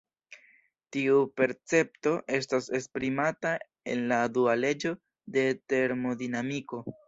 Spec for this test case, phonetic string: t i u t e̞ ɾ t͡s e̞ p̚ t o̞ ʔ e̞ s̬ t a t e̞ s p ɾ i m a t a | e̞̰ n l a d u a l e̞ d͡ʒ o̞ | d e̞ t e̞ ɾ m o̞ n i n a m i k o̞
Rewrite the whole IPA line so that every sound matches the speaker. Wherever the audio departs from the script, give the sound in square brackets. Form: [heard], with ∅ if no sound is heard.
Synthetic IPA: t i u [p] e̞ ɾ t͡s e̞ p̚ t o̞ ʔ e̞ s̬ t a [s] e̞ s p ɾ i m a t a | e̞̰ n l a d u a l e̞ d͡ʒ o̞ | d e̞ t e̞ ɾ m o̞ [d] i n a m i k o̞